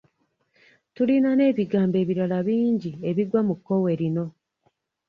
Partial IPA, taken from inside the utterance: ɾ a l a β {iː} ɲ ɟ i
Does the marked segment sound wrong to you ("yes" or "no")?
no